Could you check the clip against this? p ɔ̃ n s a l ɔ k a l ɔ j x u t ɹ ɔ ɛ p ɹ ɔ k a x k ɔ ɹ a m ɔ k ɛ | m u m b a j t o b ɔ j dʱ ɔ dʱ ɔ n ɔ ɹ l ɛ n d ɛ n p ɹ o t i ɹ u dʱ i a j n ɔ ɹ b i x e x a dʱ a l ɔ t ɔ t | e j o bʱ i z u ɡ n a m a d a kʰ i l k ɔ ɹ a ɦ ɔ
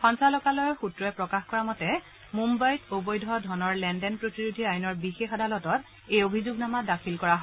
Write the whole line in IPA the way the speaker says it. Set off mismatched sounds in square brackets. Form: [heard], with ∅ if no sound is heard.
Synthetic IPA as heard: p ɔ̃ n s a l ɔ k a l ɔ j x u t ɹ ɔ ɛ p ɹ ɔ k a x k ɔ ɹ a m ɔ [t] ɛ | m u m b a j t o b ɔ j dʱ ɔ dʱ ɔ n ɔ ɹ l ɛ n d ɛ n p ɹ o t i ɹ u dʱ i a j n ɔ ɹ b i x e x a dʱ a l ɔ t ɔ t | e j o bʱ i z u ɡ n a m a d a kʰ i l k ɔ ɹ a ɦ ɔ